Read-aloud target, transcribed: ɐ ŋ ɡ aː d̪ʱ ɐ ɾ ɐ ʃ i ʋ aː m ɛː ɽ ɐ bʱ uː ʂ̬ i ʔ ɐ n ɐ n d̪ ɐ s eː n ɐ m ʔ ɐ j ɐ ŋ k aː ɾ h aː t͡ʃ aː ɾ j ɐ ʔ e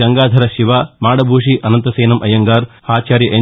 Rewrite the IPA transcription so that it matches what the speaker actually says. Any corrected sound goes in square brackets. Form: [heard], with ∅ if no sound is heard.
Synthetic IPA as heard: ɐ ŋ ɡ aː d̪ʱ ɐ ɾ ɐ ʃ i ʋ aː m [aː] ɽ ɐ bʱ uː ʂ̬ i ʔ ɐ n ɐ n [t̪] ɐ s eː n ɐ m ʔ ɐ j ɐ ŋ [ɡ] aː ɾ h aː t͡ʃ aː ɾ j ɐ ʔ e